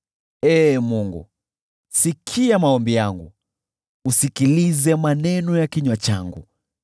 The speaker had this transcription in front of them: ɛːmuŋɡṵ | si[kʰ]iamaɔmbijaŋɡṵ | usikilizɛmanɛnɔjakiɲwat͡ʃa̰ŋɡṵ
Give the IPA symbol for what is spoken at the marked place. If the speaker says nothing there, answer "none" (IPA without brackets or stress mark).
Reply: kʰ